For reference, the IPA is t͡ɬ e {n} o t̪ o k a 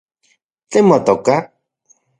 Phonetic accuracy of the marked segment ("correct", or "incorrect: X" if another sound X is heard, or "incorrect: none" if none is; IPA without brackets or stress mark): incorrect: m